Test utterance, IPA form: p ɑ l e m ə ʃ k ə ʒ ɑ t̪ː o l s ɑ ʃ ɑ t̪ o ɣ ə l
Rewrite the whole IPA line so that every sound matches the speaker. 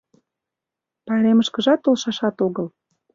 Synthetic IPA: p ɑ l e m ə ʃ k ə ʒ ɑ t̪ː o l ʃ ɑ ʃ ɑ t̪ o ɣ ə l